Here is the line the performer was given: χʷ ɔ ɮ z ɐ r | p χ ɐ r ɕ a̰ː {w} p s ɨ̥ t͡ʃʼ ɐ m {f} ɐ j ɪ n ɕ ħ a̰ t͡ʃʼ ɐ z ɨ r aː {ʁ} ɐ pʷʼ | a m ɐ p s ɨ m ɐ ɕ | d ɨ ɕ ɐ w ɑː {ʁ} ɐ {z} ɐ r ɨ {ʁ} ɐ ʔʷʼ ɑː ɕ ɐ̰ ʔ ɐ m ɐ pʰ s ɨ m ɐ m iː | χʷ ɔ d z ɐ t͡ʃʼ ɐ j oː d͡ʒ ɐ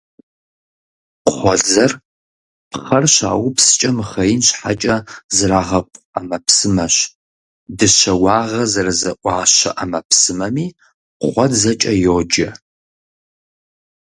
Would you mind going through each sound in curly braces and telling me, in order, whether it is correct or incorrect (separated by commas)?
correct, incorrect, correct, correct, correct, incorrect